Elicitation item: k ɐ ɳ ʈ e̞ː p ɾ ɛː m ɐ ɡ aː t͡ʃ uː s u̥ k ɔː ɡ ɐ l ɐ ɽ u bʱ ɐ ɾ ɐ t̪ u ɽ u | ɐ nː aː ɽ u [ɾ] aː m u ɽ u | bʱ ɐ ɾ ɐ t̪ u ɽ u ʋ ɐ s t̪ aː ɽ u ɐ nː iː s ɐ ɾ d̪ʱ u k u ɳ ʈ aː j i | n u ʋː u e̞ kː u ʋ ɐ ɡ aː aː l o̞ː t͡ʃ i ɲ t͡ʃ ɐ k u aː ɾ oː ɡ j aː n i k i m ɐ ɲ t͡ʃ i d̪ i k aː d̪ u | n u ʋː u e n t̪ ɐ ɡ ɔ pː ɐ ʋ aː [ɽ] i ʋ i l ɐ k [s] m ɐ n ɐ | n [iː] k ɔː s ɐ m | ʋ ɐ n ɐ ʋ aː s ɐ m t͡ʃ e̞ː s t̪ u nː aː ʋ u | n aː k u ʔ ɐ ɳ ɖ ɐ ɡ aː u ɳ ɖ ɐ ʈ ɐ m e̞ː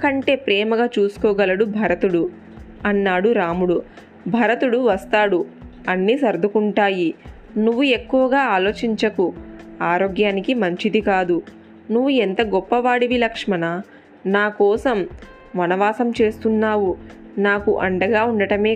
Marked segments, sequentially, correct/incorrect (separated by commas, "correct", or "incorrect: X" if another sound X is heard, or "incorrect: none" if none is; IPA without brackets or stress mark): correct, correct, incorrect: ʂ, incorrect: aː